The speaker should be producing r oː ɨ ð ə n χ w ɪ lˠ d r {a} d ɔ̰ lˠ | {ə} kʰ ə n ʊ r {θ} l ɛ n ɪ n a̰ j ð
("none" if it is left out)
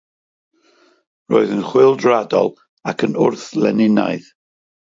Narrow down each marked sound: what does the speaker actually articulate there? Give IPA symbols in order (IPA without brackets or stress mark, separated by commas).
a, a, θ